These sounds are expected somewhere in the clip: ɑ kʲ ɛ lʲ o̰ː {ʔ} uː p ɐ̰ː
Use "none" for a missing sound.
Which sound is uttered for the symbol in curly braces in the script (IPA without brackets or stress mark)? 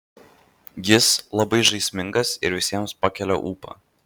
ʔ